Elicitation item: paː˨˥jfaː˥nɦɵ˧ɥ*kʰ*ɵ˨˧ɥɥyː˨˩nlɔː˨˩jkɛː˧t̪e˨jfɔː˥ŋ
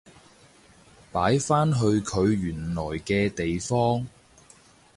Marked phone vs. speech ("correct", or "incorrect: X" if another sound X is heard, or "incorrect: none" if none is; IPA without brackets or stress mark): correct